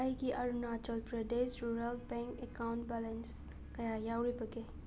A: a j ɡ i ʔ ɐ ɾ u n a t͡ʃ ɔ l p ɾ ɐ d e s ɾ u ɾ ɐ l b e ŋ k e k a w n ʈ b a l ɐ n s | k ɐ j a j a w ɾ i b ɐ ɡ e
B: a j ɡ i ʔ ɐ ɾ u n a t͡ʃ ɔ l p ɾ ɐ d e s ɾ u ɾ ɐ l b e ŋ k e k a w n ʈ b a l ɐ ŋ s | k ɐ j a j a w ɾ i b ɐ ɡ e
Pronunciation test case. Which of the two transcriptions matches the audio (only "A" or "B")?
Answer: A